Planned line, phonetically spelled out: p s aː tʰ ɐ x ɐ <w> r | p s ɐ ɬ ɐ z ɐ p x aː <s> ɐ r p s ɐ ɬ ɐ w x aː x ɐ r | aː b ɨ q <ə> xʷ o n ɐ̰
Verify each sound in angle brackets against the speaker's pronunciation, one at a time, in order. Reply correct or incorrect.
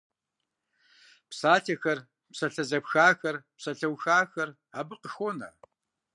incorrect, incorrect, correct

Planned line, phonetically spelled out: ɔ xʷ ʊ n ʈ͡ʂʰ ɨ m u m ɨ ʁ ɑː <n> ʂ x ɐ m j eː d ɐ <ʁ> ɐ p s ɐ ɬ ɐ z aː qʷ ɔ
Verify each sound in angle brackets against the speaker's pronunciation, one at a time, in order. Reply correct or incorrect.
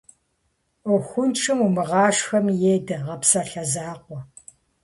incorrect, correct

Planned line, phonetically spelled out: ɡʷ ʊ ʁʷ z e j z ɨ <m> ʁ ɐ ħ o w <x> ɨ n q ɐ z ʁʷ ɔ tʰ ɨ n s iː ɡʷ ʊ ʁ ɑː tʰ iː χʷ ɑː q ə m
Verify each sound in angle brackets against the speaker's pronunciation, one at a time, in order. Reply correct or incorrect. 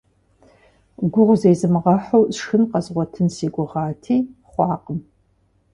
correct, correct

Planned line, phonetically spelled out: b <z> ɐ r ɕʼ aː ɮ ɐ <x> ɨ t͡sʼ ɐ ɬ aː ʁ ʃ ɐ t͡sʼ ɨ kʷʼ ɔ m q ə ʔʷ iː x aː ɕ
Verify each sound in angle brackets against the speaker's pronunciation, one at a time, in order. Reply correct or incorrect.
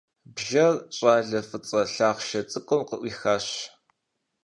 incorrect, incorrect

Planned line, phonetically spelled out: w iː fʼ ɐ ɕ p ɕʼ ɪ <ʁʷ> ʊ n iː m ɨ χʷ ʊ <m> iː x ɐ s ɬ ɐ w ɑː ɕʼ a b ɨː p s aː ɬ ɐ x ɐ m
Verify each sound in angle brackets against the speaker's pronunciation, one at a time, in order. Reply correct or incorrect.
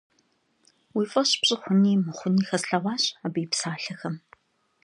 incorrect, incorrect

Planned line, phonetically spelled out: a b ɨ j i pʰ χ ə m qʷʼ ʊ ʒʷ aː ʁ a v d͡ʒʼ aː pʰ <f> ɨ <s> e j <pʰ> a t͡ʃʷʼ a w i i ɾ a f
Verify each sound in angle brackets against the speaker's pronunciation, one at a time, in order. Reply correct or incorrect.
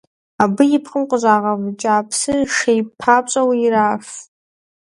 incorrect, incorrect, correct

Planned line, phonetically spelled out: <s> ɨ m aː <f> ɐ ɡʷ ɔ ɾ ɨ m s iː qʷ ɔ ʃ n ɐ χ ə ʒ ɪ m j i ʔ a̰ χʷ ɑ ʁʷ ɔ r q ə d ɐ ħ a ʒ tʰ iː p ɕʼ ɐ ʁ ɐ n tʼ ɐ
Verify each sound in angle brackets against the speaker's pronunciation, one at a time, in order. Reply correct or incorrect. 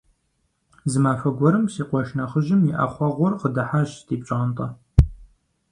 incorrect, correct

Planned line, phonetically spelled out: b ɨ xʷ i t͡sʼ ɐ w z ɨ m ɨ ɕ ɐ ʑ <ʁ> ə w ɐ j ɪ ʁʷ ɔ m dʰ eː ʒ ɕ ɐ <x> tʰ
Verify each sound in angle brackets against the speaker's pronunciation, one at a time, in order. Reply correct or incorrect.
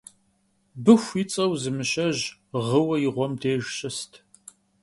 correct, incorrect

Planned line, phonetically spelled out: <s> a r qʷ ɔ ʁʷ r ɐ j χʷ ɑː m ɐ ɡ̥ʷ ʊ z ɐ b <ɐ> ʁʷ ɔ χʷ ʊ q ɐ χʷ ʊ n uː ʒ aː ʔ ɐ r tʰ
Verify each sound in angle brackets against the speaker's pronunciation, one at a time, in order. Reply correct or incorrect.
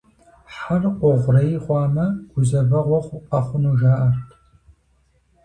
incorrect, correct

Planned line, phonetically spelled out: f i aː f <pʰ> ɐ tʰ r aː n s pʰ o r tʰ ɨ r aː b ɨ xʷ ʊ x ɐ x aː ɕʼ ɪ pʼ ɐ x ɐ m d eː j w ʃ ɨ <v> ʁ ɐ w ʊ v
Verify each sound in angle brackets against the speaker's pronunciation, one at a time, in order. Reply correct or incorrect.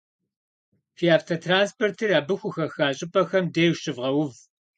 incorrect, correct

